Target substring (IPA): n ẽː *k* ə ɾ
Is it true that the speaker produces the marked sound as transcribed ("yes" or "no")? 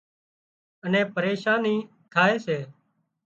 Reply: no